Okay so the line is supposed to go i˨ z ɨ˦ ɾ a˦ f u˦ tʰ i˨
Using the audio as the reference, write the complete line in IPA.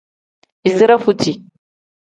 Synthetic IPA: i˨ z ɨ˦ ɾ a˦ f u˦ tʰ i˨